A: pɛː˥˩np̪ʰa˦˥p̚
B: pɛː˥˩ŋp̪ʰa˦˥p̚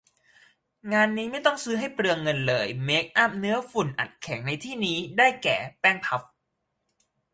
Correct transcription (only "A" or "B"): B